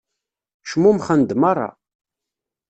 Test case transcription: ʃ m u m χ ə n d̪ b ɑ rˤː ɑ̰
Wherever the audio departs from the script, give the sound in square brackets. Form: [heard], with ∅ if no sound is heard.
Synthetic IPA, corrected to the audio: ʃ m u m χ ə n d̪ [m] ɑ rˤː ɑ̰